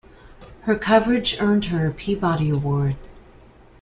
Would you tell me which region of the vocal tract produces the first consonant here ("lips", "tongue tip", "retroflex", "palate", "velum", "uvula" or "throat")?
throat